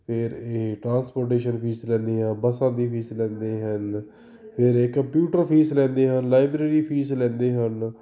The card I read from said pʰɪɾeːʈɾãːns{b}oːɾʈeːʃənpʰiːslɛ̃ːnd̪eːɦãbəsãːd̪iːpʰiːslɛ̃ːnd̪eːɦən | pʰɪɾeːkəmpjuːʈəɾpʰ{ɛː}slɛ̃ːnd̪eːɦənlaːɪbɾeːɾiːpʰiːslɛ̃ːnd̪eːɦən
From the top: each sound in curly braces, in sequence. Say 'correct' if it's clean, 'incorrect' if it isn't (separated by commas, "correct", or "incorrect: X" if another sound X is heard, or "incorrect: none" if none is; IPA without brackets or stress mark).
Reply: incorrect: p, incorrect: iː